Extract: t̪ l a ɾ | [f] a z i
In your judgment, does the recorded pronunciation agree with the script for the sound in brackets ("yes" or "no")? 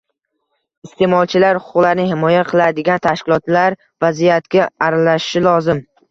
no